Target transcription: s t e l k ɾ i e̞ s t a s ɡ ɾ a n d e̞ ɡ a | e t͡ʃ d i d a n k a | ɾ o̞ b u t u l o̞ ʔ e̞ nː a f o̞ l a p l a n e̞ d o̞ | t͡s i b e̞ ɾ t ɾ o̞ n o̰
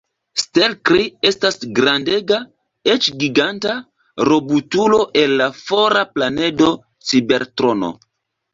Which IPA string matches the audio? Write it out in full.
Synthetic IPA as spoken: s t e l k ɾ i e̞ s t a s ɡ ɾ a n d e̞ ɡ a | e t͡ʃ ɡ i ɡ a n t a | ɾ o̞ b u t u l o̞ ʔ e̞ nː a f o̞ ɾ a p l a n e̞ d o̞ | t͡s i b e̞ ɾ t ɾ o̞ n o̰